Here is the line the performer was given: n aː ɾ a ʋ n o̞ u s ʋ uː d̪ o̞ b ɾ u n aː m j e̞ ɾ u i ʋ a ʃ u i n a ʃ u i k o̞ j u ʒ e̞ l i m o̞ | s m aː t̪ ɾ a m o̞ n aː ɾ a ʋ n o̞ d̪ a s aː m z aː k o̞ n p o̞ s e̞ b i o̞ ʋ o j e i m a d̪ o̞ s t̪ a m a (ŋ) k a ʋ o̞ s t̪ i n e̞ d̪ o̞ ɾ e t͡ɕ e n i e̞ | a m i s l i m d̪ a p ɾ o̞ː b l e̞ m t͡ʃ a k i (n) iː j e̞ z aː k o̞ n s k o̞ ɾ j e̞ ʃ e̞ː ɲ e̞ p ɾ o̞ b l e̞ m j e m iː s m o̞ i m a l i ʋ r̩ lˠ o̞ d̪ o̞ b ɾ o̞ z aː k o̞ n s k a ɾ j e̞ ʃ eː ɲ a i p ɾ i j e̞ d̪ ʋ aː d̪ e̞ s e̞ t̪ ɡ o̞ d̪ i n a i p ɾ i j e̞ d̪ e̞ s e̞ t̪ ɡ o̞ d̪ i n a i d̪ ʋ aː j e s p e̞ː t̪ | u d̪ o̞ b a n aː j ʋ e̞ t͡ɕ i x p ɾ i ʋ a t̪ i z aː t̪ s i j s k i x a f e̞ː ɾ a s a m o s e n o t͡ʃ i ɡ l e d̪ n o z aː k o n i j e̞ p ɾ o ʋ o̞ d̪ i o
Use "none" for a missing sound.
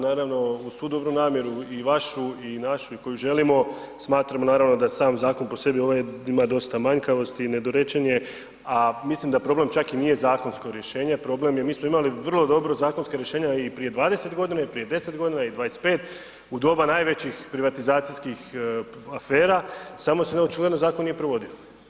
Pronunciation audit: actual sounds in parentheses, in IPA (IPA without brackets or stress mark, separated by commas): ɲ, n